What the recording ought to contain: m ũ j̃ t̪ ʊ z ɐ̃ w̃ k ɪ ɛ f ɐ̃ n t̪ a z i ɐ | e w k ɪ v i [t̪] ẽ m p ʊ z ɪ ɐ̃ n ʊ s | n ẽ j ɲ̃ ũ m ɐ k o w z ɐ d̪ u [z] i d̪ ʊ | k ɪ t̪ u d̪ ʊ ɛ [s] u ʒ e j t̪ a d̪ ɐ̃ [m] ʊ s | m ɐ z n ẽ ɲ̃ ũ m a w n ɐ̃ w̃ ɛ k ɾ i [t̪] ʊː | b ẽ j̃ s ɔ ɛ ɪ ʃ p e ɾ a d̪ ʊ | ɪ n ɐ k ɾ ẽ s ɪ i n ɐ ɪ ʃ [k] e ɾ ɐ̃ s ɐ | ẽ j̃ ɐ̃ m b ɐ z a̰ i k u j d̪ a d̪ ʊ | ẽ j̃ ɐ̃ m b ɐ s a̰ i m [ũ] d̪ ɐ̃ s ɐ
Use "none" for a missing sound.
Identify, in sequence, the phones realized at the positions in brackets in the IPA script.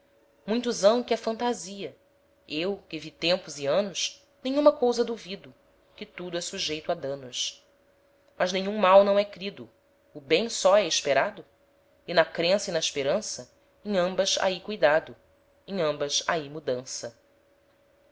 t̪, v, s, n, d̪, p, u

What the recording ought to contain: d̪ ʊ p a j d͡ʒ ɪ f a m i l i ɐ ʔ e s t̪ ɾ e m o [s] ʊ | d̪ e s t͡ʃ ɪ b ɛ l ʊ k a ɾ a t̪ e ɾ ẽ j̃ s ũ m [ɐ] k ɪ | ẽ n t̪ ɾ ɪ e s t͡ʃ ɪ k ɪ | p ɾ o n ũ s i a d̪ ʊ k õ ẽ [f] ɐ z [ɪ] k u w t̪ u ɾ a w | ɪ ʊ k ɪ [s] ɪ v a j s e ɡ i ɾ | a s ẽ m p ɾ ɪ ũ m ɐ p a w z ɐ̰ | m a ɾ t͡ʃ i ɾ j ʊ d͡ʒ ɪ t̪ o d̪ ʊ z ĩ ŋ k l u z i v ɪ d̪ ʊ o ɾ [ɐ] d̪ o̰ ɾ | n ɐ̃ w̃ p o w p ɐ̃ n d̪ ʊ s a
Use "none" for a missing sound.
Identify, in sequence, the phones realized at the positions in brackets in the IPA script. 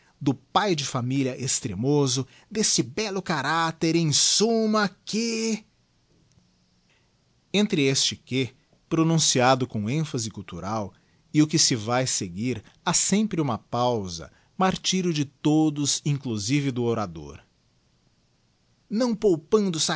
z, ɐ, f, ɪ, s, a

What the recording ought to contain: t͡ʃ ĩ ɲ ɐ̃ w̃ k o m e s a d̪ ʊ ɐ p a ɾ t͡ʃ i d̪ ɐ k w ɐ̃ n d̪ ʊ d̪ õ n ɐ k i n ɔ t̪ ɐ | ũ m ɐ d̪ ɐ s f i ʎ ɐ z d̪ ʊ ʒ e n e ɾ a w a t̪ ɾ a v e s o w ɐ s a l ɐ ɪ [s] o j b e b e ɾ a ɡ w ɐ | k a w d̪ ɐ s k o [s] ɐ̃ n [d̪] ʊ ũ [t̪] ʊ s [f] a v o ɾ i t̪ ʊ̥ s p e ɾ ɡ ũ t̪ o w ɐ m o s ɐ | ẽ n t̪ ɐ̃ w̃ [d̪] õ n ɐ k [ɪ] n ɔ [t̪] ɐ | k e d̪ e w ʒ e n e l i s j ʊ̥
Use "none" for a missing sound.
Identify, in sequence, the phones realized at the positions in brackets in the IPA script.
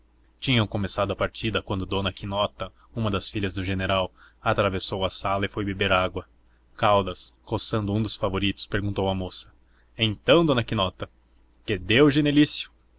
f, s, d̪, d̪, f, d̪, i, t̪

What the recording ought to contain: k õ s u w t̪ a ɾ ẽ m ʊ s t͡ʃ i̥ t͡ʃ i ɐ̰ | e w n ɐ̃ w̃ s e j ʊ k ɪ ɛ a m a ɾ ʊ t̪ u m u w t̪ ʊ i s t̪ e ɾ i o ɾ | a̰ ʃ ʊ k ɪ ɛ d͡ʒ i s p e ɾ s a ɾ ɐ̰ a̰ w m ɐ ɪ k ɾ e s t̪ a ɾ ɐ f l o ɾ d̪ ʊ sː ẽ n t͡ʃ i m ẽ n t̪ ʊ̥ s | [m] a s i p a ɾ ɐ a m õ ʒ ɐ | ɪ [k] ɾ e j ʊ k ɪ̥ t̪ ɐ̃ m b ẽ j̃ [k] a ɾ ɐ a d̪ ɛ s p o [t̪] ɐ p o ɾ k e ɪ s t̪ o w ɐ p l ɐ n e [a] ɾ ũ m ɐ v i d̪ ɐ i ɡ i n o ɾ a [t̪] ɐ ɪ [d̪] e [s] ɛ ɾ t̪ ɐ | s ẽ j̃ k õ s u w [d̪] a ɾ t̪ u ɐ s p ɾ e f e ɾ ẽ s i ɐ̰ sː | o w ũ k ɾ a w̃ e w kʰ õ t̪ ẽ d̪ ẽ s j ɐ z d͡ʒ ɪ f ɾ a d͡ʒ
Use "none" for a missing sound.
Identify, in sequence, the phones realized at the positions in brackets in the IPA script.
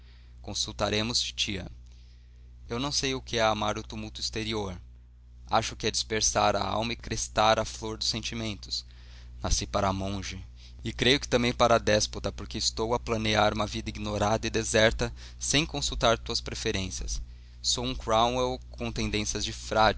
n, k, p, t̪, a, d̪, d̪, z, t̪

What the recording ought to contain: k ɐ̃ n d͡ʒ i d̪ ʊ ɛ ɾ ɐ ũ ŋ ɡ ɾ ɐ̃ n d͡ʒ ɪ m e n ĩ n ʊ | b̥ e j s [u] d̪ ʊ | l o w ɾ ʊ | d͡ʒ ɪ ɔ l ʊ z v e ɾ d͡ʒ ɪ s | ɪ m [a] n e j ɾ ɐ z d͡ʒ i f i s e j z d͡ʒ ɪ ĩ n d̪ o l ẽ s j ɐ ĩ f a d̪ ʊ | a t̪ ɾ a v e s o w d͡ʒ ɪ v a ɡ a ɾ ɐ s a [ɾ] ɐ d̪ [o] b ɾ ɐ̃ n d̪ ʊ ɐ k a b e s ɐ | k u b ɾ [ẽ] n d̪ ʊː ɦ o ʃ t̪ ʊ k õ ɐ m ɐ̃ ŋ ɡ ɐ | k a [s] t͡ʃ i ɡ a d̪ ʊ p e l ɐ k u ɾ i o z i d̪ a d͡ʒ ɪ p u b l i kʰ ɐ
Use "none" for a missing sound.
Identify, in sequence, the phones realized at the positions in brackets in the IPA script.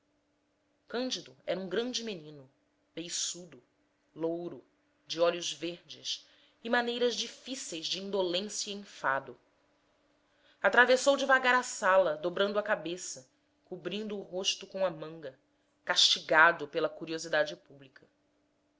u, a, l, o, ĩ, ʃ

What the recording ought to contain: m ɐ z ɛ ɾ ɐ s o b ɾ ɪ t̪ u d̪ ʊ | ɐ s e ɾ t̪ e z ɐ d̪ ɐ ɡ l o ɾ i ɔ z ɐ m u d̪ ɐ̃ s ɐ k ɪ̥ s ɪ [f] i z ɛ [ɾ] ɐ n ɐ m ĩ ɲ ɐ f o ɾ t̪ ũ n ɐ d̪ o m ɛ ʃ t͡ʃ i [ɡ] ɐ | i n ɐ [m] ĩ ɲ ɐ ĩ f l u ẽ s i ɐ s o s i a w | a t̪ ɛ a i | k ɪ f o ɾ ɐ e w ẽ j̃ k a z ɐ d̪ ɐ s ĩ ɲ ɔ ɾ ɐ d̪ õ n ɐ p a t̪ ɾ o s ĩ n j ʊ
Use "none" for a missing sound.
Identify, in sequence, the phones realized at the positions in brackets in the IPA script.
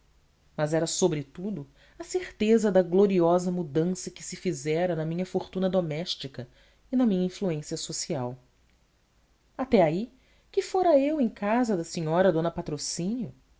f, ɾ, k, m

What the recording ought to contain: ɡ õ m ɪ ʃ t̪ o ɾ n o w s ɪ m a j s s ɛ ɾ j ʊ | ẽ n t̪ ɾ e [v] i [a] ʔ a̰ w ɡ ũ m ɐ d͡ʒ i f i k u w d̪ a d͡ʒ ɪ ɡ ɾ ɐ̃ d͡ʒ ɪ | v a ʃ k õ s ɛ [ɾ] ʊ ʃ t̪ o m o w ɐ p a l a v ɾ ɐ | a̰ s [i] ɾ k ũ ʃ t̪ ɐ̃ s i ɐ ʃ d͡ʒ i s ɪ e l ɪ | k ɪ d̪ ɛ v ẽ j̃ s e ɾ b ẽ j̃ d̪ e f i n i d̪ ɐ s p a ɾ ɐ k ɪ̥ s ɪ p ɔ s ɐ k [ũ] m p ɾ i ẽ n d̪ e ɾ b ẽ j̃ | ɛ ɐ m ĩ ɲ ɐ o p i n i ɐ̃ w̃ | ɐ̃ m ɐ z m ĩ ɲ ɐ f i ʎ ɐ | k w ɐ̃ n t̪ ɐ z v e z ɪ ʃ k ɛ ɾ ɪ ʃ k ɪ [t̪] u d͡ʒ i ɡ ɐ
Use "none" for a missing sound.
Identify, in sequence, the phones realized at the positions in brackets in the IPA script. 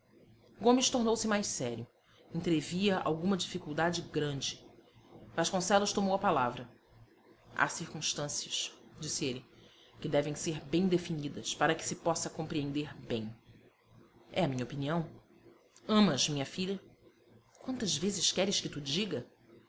v, ɐ, l, i, õ, t̪

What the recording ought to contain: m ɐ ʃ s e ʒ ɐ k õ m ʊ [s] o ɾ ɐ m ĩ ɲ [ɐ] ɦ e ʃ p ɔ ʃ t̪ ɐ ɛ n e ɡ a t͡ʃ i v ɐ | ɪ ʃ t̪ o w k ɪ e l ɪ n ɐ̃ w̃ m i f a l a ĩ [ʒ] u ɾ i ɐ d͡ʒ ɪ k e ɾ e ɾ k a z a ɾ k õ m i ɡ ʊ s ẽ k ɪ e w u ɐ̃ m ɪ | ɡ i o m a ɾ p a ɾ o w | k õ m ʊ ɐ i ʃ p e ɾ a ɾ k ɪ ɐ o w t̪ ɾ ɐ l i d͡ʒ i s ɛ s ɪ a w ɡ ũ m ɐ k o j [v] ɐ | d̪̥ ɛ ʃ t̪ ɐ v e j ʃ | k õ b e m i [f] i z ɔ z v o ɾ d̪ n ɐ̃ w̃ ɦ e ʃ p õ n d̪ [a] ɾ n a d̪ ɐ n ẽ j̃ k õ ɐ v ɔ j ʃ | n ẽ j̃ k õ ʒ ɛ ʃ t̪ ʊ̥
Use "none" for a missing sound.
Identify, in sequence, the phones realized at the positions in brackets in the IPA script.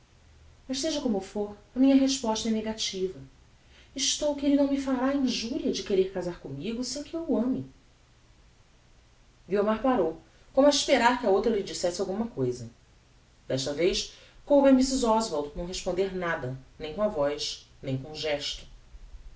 f, ɐ, ʒ, z, s, e

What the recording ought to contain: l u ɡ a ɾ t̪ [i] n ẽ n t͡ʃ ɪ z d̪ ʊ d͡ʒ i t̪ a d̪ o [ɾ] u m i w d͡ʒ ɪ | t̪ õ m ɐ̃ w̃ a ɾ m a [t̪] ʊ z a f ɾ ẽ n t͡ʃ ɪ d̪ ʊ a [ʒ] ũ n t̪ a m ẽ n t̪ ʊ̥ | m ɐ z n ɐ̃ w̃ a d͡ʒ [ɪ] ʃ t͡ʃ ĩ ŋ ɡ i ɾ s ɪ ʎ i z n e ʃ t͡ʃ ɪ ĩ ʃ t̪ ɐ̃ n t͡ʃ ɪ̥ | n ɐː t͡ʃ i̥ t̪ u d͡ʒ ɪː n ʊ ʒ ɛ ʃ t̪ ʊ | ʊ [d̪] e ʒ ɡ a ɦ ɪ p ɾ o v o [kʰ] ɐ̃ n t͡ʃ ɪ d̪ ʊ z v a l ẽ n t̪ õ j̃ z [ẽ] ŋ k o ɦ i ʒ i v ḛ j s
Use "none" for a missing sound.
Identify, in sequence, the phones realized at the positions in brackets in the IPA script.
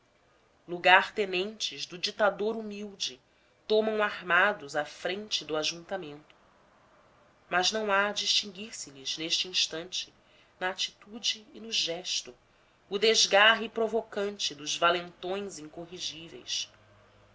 e, ɾ, d̪, ʒ, i, d̪, k, ĩ

